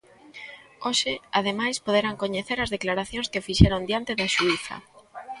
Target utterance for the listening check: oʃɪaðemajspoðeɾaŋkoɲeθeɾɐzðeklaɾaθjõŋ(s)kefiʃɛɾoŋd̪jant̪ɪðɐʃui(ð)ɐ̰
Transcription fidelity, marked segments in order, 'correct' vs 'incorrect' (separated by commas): correct, incorrect